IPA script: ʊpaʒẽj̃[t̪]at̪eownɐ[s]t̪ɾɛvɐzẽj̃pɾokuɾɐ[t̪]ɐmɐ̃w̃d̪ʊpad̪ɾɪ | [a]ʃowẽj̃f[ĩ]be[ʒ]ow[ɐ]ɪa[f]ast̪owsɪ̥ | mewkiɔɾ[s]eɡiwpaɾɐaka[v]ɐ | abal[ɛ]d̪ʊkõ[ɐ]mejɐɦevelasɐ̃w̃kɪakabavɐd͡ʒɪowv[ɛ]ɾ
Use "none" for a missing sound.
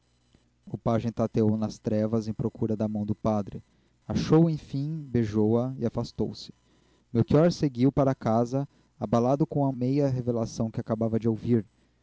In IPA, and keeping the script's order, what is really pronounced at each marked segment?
t̪, s, d̪, a, ĩ, ʒ, ɐ, f, s, z, a, ɐ, i

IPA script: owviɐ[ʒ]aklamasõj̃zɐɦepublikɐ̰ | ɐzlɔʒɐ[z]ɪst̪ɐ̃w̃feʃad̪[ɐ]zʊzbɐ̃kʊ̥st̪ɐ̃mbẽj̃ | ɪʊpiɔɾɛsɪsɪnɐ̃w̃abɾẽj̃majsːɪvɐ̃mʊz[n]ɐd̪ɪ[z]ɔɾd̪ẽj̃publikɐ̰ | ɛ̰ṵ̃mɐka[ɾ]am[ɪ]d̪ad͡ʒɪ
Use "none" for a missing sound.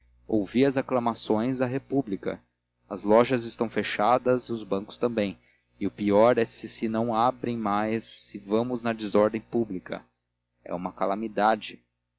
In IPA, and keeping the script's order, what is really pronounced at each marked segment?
z, z, ɐ, n, z, l, i

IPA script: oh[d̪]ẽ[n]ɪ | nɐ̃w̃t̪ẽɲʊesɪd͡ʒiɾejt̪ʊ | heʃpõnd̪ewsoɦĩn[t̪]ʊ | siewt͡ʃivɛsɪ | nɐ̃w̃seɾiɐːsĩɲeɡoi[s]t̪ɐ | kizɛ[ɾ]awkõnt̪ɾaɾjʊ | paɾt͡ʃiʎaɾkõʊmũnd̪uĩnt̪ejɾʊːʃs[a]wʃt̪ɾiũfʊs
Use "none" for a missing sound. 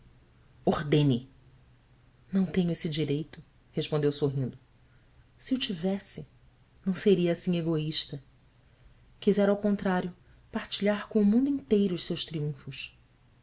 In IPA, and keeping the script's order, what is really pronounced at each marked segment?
d̪, n, d̪, ʃ, ɾ, e

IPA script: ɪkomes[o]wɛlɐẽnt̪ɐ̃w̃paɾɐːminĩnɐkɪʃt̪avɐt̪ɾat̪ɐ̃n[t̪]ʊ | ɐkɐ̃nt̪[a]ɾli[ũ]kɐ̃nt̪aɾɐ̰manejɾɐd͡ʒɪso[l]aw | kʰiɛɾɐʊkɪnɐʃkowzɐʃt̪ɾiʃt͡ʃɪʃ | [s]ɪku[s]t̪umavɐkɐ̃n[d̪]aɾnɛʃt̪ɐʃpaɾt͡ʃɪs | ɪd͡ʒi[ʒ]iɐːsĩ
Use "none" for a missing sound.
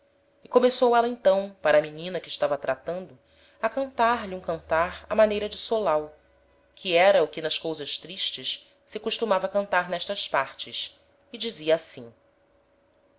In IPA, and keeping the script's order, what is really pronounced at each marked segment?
o, d̪, a, ũ, l, s, ʃ, t̪, z

